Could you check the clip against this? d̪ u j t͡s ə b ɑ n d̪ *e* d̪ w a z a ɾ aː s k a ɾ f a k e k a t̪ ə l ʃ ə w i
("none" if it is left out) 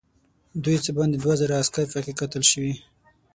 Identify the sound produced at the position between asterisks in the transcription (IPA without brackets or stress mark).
e